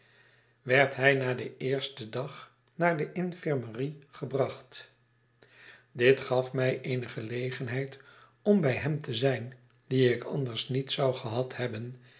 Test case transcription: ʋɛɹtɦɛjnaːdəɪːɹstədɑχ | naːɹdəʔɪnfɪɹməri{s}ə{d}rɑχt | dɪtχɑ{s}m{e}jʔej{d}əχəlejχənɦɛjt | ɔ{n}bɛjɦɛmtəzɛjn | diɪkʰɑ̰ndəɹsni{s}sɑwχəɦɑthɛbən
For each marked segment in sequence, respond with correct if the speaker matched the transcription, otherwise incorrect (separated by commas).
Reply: incorrect, incorrect, incorrect, incorrect, incorrect, incorrect, incorrect